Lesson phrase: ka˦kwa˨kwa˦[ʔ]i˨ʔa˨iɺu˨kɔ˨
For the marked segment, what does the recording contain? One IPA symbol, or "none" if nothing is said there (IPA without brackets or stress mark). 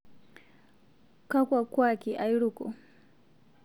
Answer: k